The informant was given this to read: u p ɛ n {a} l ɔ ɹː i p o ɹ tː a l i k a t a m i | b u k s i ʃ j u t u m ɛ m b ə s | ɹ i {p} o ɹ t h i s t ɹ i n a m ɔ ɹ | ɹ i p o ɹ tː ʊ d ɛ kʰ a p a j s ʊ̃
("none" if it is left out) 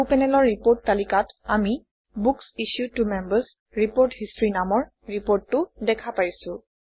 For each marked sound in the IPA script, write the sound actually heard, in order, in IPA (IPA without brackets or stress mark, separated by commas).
ɛ, p